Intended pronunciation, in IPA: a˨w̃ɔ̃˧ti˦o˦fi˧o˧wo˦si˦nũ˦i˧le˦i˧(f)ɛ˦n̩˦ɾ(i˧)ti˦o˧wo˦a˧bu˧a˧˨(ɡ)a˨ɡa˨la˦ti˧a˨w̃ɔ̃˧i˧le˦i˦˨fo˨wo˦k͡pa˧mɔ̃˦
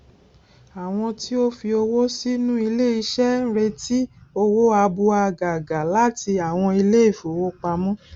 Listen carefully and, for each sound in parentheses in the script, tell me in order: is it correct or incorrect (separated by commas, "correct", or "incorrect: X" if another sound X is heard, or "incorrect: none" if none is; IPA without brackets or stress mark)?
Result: incorrect: ʃ, incorrect: e˧, correct